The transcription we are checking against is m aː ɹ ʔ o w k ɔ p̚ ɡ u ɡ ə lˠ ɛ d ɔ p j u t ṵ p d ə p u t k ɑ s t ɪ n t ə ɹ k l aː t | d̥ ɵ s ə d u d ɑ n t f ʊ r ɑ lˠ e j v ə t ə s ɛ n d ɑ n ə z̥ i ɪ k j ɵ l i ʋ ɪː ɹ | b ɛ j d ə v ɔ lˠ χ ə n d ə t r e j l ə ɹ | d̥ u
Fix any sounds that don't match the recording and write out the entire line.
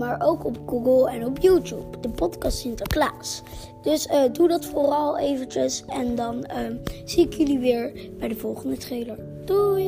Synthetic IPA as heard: m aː ɹ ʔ o w k ɔ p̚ ɡ u ɡ ə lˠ ɛ n ɔ p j u t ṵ p d ə p ɔ t k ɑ s t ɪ n t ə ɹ k l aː s | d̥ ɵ s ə d u d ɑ t f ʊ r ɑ lˠ e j v ə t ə s ɛ n d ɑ n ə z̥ i ɪ k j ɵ l i ʋ ɪː ɹ | b ɛ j d ə v ɔ lˠ χ ə n d ə t r e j l ə ɹ | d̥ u